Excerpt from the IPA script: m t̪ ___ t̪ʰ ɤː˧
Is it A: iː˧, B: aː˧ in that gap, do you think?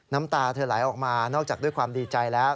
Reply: B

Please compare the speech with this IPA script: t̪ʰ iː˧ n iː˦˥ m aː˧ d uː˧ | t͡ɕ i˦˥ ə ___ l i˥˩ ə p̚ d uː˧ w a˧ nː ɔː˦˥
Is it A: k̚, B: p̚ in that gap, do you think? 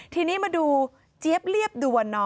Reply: B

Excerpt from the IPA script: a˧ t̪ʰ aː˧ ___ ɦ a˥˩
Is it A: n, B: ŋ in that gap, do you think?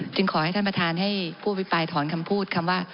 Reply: A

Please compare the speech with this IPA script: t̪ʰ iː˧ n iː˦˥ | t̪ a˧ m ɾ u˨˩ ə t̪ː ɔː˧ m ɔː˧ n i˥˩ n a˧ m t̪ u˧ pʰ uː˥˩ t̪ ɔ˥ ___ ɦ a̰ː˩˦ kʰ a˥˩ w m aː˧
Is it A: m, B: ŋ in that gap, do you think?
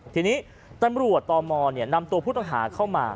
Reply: B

